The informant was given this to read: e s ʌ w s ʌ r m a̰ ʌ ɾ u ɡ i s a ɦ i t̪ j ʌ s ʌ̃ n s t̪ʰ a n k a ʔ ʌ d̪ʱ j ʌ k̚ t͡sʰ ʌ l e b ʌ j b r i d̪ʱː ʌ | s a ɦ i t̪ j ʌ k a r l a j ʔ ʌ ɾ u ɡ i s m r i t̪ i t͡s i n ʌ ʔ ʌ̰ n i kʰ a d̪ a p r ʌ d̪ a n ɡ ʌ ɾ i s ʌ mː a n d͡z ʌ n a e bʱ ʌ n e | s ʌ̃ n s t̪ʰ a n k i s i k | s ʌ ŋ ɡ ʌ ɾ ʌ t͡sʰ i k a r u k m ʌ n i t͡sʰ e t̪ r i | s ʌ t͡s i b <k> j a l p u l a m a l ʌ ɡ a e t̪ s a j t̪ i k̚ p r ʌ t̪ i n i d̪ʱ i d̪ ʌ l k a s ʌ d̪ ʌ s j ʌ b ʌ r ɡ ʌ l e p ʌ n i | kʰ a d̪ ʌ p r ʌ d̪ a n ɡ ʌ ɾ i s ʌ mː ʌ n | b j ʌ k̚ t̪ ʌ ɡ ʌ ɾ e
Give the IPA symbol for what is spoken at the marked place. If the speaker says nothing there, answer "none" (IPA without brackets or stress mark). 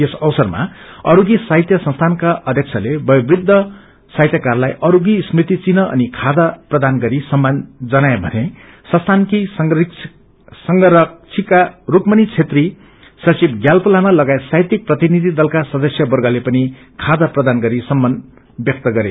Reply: ɡ